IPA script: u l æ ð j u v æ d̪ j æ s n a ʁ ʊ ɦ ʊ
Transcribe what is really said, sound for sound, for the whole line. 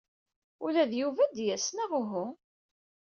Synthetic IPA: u l æ ð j u v æ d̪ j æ s n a ʁ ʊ ɦ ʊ

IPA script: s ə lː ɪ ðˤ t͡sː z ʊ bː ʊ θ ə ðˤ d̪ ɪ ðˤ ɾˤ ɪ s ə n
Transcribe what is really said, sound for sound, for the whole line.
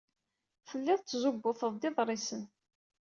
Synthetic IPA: f ə lː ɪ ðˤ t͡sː z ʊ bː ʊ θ ə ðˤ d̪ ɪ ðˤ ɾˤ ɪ s ə n

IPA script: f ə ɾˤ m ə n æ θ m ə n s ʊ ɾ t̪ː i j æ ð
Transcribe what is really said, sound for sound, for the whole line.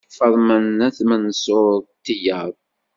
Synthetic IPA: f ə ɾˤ m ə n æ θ m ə n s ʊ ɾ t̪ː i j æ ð

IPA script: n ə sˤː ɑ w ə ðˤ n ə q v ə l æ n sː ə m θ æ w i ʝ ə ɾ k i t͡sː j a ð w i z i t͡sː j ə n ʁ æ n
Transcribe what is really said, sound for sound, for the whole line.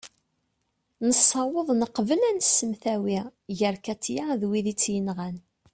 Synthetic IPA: n ə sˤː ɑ w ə ðˤ n ə q v ə l æ n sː ə m θ æ w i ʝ ə ɾ k æ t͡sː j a ð w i ð i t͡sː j ə n ʁ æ n

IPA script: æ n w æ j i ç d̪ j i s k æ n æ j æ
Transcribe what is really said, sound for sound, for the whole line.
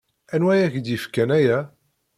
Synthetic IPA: æ n w æ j æ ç d̪ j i f k æ n æ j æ

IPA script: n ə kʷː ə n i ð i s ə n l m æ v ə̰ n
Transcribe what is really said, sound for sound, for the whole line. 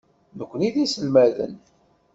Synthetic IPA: n ə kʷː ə n i ð i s ə l m æ ð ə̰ n

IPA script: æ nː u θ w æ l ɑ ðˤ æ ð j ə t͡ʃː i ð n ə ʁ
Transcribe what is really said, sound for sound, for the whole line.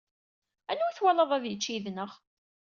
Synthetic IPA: æ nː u θ w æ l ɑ ðˤ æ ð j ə t͡ʃː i ð n ə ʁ

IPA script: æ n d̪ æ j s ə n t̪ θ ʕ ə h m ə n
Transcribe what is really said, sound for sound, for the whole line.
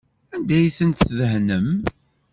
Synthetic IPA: æ n d̪ æ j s ə n t̪ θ ð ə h n ə m

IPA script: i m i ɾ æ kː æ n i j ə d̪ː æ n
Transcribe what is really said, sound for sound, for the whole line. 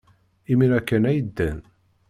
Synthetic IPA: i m i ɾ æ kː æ n æ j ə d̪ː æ n

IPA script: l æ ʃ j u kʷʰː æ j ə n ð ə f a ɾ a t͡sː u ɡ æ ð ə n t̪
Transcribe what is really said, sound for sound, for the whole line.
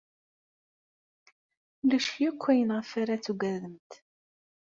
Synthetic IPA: l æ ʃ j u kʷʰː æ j ə n ʁ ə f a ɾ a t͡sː u ɡ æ ð ə m t̪

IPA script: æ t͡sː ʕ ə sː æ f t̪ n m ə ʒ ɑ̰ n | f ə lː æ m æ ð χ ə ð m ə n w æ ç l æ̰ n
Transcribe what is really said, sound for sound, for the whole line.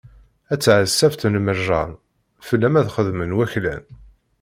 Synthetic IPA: æ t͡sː ʕ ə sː æ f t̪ n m ə ʒ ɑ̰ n | f ə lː æ m æ ð χ ə ð m ə n w æ ç l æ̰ n

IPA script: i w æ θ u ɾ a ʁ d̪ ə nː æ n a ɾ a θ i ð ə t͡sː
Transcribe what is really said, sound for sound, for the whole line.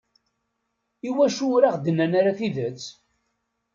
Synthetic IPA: i w æ ʃ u ɾ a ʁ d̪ ə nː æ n a ɾ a θ i ð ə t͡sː

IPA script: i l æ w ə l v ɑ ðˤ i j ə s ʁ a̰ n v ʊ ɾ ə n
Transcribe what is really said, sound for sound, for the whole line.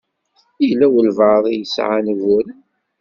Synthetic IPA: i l æ w ə l v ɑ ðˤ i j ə s ʕ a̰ n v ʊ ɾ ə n

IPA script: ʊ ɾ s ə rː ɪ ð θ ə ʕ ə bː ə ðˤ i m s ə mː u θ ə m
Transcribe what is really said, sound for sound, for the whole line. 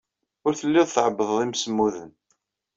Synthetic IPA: ʊ ɾ θ ə lː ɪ ð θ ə ʕ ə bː ə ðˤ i m s ə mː u ð ə n

